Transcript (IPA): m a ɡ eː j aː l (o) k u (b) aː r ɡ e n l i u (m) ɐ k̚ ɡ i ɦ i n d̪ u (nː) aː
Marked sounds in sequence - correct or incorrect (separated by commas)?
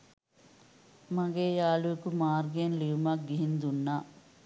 incorrect, incorrect, correct, correct